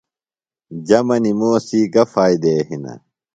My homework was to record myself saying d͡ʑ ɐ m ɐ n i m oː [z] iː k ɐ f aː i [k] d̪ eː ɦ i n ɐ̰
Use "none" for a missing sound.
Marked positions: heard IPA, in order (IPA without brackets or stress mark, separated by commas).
s, none